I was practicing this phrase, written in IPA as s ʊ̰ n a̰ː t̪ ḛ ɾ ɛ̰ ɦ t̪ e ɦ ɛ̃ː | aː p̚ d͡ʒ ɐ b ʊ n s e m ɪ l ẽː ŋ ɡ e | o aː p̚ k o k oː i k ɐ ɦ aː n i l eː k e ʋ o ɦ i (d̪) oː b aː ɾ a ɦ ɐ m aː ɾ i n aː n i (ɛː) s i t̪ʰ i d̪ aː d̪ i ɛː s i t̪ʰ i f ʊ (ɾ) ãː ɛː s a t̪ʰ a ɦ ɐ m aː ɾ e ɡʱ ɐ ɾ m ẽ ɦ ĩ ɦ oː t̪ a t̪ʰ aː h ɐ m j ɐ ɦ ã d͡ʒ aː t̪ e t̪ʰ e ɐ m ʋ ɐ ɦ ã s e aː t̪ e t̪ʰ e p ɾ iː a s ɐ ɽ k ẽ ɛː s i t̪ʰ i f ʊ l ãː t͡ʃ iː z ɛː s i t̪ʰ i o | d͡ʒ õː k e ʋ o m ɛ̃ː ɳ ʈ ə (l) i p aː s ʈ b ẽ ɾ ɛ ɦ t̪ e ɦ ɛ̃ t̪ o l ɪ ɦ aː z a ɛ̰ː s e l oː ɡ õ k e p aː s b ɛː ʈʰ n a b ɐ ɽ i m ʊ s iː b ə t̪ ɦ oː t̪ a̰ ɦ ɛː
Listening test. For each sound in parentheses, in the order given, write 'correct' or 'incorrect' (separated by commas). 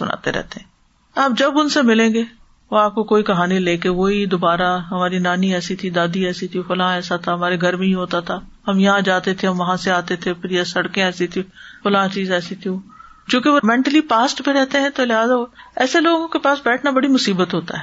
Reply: correct, correct, incorrect, correct